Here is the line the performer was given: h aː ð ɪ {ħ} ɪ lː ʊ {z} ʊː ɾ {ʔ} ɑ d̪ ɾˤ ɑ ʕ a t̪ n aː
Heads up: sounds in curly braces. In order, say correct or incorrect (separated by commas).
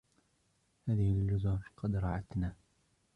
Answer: incorrect, correct, incorrect